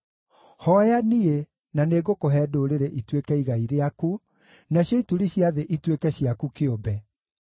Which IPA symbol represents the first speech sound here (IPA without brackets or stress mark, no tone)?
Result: h